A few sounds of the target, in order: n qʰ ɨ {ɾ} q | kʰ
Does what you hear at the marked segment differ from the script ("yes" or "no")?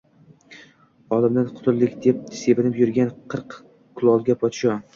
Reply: no